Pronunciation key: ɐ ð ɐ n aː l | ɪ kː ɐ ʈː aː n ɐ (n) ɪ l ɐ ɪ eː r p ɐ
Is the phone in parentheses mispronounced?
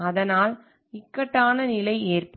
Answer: no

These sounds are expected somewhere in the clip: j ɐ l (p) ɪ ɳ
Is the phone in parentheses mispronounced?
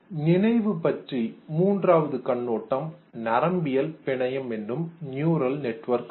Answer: no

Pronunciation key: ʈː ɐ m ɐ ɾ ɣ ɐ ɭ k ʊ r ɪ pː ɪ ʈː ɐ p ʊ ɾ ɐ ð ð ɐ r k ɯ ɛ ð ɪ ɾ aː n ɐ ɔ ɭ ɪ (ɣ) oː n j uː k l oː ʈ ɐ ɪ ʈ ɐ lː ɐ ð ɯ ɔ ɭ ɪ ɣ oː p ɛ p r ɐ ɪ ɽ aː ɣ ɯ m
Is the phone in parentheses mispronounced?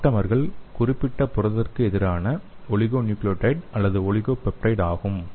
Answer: no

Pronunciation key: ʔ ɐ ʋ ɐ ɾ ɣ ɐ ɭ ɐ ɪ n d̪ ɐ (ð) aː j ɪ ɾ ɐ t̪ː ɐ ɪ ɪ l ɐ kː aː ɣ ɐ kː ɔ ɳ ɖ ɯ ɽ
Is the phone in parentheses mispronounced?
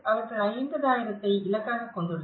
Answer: no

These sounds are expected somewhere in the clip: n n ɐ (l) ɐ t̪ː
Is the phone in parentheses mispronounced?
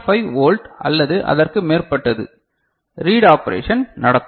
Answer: yes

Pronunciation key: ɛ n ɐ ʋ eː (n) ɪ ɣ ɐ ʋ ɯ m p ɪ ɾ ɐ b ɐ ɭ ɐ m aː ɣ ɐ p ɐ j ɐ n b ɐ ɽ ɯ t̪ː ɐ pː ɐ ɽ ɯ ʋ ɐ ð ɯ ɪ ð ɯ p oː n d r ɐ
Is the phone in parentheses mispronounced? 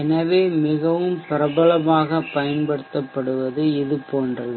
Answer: yes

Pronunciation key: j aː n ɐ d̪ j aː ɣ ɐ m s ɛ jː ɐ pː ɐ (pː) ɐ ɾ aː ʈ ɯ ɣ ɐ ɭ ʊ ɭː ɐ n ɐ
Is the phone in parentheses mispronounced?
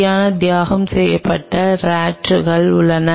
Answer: yes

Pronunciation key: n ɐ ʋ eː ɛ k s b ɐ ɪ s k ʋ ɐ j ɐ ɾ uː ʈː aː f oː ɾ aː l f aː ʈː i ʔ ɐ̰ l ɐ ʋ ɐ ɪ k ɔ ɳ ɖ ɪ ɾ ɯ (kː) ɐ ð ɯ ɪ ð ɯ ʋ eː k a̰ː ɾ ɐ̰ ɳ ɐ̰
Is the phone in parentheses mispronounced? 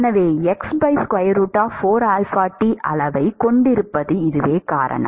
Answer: yes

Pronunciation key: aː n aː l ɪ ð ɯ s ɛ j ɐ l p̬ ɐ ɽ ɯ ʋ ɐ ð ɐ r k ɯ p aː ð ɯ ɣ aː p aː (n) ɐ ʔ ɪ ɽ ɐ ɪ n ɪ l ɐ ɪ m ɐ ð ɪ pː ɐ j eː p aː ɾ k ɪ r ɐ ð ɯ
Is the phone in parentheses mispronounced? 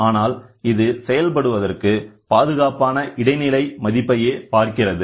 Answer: no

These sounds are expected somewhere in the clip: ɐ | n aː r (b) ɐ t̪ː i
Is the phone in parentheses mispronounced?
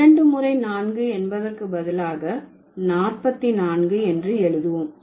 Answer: yes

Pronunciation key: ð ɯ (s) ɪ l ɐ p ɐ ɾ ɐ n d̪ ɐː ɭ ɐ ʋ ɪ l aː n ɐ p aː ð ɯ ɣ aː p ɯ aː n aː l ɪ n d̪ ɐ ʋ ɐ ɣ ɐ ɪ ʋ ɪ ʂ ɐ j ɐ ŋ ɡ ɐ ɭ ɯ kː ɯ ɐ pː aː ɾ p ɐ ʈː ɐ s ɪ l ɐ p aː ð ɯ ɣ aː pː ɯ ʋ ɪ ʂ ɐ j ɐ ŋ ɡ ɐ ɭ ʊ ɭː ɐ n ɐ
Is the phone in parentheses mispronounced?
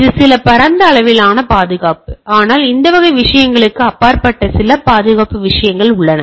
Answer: no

